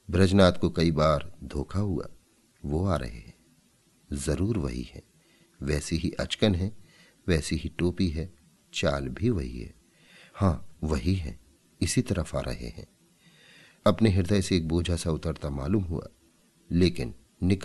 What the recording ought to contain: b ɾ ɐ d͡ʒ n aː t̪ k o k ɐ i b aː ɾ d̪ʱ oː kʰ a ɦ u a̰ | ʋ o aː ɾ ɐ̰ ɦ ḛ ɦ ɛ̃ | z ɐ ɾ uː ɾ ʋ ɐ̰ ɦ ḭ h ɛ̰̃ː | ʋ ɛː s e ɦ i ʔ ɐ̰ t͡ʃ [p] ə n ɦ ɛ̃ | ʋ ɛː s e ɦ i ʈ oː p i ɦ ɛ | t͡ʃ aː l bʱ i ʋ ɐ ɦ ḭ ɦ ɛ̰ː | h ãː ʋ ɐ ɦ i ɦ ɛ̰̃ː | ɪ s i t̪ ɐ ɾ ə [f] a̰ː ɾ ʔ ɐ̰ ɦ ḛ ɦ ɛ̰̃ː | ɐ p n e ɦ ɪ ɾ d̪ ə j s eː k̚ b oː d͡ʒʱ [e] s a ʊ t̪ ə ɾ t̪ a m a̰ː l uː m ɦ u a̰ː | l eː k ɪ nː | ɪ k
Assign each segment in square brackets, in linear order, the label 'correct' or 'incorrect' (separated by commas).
incorrect, correct, incorrect